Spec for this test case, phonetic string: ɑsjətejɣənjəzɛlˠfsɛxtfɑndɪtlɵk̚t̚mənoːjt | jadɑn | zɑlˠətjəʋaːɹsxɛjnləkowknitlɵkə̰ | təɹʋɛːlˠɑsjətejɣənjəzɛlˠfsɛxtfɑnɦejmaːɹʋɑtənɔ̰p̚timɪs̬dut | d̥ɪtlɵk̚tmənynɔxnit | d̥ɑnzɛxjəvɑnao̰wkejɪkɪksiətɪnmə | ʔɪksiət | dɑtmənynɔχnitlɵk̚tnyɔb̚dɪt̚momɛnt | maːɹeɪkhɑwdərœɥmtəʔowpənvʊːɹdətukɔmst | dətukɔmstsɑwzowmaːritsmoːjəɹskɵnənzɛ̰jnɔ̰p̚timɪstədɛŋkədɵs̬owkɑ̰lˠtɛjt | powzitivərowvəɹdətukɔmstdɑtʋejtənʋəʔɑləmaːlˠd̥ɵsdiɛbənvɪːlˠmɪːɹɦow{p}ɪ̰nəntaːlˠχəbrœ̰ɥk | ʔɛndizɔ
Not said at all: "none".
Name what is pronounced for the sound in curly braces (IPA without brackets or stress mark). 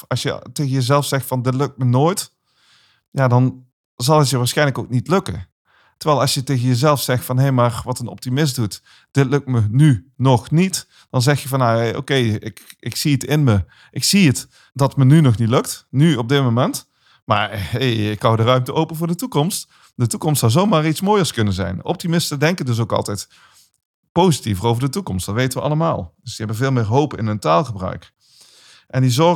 p